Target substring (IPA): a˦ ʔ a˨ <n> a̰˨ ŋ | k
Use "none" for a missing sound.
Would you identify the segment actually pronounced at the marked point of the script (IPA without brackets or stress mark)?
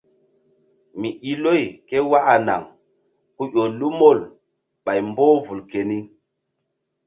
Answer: n